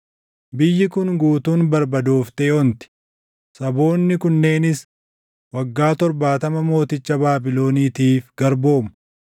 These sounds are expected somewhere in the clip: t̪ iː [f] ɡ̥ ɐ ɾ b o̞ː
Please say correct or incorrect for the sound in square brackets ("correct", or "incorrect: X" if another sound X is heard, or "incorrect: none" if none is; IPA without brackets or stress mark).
correct